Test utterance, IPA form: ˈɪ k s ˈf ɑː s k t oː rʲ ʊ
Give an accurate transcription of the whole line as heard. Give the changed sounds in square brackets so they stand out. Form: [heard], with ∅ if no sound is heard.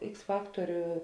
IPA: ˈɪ k s ˈf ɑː [∅] k t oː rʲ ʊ